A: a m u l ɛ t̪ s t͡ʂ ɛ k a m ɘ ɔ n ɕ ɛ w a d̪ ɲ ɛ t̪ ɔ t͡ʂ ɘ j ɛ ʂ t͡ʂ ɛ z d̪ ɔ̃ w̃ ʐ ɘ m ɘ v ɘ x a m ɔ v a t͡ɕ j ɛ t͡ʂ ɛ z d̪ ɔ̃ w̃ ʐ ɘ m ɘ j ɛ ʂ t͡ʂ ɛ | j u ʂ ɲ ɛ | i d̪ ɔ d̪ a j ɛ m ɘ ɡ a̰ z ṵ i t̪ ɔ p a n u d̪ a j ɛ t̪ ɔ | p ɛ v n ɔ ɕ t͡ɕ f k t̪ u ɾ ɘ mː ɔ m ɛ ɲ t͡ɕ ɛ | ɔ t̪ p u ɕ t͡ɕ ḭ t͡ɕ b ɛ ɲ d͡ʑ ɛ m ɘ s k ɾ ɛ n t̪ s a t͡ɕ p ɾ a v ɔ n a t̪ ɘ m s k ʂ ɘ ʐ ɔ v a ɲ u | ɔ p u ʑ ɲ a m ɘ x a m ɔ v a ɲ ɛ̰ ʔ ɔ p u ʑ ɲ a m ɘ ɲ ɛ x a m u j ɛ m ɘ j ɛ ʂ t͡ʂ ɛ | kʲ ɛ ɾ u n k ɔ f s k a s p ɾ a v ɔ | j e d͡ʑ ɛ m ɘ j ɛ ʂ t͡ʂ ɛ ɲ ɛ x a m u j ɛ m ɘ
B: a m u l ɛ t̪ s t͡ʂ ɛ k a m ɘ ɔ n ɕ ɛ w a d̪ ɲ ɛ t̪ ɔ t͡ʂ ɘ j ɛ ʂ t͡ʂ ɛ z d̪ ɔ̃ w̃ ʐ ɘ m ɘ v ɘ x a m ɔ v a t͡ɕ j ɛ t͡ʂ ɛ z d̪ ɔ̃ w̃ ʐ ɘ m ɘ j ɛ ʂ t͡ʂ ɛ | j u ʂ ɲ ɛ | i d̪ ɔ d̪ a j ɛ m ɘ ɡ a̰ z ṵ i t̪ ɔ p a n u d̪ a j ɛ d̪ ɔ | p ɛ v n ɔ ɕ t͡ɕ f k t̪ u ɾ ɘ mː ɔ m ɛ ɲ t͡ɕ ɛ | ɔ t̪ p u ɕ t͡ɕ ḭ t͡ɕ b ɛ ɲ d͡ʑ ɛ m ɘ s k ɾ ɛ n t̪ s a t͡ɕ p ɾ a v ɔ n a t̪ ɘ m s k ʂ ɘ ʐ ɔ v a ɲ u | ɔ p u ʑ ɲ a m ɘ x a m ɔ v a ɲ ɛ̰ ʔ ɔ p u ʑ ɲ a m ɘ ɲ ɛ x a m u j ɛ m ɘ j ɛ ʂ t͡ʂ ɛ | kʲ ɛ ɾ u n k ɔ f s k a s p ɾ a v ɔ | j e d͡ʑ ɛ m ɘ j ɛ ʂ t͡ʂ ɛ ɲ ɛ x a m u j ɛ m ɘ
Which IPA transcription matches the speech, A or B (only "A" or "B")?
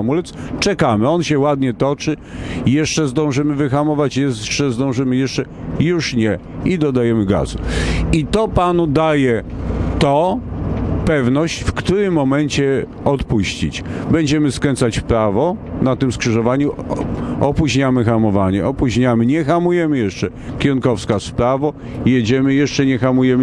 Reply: A